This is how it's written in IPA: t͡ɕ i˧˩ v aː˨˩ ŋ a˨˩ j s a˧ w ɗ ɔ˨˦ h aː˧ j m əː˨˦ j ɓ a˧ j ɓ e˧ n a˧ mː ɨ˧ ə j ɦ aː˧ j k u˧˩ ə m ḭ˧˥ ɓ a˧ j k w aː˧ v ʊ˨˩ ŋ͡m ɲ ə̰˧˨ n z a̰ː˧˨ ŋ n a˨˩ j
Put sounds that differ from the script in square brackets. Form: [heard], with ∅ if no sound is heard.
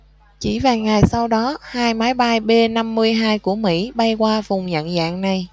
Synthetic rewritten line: t͡ɕ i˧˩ v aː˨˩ ŋ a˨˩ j s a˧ w ɗ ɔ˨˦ h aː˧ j m [aː˨˦] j ɓ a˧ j ɓ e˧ n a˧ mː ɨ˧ ə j ɦ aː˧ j k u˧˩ ə m ḭ˧˥ ɓ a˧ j k w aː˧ v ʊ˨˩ ŋ͡m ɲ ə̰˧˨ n z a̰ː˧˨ ŋ n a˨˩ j